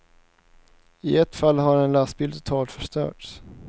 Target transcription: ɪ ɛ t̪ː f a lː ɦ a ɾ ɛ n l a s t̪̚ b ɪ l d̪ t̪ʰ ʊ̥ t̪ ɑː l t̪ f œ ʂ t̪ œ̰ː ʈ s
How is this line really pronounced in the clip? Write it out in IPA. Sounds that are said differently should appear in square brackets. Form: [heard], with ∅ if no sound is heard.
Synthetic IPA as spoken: ɪ ɛ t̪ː f a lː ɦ a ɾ ɛ n l a s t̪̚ b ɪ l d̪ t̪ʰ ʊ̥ [t̪ʰ] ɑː l t̪ f œ ʂ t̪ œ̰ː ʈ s